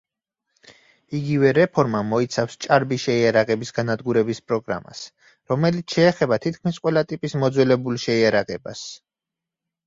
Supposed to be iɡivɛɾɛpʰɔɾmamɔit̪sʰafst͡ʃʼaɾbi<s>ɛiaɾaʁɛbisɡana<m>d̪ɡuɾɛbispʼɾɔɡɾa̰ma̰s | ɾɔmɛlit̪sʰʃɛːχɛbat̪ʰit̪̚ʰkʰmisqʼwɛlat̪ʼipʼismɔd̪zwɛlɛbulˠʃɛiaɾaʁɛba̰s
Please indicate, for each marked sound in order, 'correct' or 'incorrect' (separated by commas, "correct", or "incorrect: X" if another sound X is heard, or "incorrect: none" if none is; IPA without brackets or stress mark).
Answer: incorrect: ʃ, incorrect: none